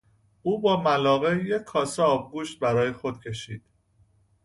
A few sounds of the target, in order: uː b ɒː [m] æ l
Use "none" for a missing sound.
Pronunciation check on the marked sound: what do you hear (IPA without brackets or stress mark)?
m